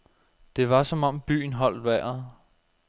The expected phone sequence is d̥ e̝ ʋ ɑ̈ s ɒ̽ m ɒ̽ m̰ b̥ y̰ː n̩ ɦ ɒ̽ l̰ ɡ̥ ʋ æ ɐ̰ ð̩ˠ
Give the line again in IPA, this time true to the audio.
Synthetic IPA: d̥ e̝ ʋ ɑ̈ s ɒ̽ m ɒ̽ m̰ b̥ y̰ː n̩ ɦ ɒ̽ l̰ d̥ ʋ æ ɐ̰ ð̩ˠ